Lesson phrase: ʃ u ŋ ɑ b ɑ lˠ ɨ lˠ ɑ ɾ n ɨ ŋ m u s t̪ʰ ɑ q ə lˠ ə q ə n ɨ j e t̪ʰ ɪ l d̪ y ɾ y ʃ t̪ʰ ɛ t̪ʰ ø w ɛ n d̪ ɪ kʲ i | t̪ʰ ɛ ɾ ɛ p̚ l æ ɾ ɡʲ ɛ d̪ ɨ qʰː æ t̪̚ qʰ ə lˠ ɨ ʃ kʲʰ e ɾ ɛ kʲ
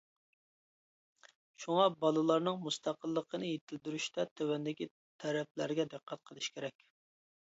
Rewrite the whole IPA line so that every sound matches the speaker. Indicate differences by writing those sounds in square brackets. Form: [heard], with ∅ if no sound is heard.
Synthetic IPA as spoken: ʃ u ŋ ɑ b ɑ lˠ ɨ lˠ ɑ ɾ n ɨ ŋ m u s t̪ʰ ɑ q ə [lˠː] ə q ə n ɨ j e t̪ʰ ɪ l d̪ y ɾ y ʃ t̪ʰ ɛ t̪ʰ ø w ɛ n d̪ ɪ kʲ i | t̪ʰ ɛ ɾ ɛ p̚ l æ ɾ ɡʲ ɛ d̪ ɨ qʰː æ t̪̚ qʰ ə lˠ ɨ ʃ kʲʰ e ɾ ɛ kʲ